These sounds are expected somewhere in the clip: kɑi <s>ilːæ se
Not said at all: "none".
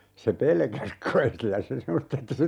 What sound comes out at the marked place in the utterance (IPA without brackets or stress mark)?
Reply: s